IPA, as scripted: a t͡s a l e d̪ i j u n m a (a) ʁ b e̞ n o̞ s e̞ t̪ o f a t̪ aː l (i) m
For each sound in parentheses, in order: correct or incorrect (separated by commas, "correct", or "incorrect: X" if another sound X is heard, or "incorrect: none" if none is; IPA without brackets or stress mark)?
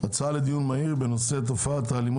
incorrect: i, correct